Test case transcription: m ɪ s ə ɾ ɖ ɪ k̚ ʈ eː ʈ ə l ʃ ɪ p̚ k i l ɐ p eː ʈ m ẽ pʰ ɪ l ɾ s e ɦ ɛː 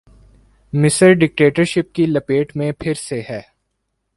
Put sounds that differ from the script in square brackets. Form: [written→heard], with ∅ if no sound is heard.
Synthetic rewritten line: m ɪ s ə ɾ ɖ ɪ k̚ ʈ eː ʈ ə [l→ɾ] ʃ ɪ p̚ k i l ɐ p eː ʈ m ẽ pʰ ɪ [l→∅] ɾ s e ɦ ɛː